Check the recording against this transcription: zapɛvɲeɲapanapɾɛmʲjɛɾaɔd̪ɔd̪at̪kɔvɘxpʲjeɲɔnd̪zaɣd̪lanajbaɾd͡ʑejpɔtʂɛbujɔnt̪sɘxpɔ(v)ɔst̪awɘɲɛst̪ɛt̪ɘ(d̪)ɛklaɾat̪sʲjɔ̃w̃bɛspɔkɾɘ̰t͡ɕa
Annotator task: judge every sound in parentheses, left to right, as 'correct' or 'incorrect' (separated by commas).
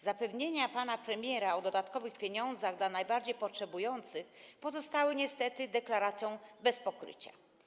incorrect, correct